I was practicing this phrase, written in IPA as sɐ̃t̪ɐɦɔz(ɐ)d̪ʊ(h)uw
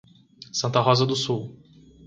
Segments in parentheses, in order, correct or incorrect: correct, incorrect

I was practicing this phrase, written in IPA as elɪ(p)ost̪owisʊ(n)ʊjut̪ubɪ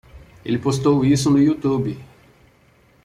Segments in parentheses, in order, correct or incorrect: correct, correct

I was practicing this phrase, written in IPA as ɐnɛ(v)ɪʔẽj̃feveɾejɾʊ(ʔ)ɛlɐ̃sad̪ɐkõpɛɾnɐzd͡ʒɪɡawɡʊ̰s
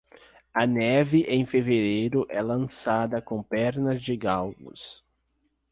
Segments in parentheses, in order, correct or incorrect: correct, correct

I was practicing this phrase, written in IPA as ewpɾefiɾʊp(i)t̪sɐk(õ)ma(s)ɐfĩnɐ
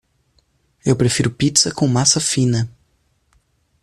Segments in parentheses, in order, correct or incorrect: correct, correct, correct

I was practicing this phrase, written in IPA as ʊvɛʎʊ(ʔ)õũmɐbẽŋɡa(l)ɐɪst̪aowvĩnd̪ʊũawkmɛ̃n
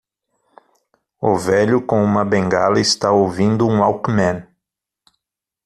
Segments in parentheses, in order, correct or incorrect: incorrect, correct

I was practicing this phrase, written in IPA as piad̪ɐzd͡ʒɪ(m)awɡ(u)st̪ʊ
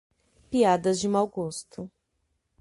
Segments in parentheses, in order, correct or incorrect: correct, incorrect

